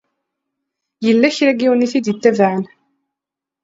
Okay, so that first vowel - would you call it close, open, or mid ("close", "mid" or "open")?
mid